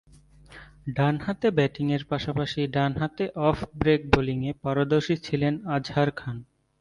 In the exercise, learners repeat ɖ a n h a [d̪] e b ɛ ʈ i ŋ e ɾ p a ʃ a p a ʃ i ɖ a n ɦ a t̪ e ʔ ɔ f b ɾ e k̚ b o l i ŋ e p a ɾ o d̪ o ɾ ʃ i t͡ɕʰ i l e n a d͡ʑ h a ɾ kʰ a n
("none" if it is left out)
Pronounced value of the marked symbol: t̪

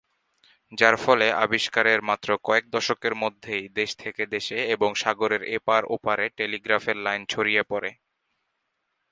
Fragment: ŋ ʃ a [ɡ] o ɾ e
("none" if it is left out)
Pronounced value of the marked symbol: ɡ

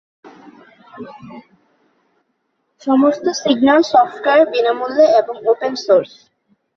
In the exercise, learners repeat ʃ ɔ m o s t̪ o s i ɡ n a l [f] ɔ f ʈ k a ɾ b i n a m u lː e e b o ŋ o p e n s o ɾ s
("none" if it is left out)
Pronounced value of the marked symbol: s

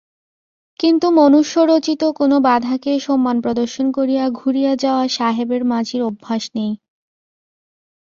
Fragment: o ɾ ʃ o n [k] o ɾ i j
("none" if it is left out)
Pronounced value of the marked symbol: k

